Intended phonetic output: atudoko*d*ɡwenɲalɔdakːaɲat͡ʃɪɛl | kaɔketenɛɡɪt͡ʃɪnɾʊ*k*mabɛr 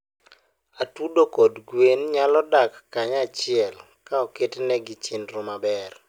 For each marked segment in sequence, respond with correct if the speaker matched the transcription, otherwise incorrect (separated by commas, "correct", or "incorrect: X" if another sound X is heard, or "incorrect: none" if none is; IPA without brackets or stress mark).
correct, incorrect: none